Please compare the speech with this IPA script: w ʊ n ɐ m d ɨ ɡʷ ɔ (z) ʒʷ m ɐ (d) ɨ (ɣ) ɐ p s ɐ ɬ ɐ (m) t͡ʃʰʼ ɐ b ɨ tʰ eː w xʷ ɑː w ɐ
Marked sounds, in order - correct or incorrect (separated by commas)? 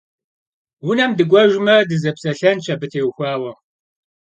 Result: incorrect, correct, incorrect, incorrect